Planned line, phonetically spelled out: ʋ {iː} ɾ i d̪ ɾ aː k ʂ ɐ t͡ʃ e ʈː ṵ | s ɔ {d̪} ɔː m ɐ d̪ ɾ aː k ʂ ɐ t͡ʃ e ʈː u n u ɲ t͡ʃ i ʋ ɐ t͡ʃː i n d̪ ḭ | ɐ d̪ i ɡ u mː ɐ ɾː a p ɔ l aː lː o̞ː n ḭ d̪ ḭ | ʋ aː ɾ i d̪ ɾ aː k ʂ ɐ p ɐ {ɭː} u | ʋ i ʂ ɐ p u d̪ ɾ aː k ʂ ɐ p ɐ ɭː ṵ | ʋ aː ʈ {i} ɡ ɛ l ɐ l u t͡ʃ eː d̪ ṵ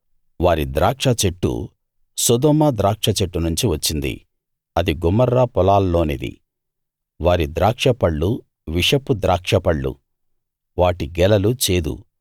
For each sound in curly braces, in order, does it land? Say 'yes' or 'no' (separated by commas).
no, yes, yes, yes